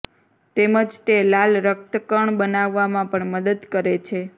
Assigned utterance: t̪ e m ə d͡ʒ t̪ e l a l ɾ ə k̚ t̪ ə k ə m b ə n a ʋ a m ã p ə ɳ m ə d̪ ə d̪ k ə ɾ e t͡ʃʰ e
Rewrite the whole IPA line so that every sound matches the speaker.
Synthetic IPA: t̪ e m ə d͡ʒ t̪ e l a l ɾ ə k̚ t̪ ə k ə ɳ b ə n a ʋː a m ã p ə ɳ m ə d̪ ə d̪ k ə ɾ e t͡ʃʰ e